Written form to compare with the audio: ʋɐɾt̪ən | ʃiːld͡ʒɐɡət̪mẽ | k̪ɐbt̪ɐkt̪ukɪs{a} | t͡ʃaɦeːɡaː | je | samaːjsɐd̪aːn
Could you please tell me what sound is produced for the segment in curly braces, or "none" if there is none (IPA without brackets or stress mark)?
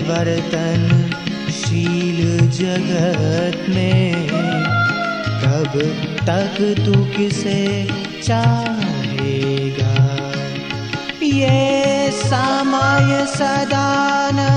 e